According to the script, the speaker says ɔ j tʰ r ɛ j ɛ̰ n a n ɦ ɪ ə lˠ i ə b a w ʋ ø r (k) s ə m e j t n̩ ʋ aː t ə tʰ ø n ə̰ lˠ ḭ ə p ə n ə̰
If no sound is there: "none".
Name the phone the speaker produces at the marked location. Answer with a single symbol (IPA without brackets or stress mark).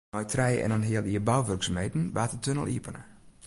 k